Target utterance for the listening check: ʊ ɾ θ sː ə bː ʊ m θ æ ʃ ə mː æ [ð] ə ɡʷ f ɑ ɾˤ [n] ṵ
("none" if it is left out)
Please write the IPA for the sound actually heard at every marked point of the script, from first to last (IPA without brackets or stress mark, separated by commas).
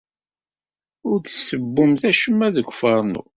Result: ð, n